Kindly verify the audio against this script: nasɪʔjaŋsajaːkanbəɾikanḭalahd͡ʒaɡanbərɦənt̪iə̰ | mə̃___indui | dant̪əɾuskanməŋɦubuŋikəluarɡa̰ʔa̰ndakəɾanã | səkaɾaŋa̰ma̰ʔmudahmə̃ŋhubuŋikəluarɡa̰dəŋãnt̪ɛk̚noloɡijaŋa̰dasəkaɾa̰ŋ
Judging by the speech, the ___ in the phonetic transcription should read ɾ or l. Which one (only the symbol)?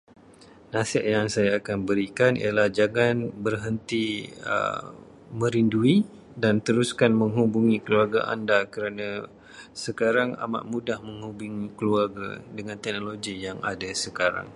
ɾ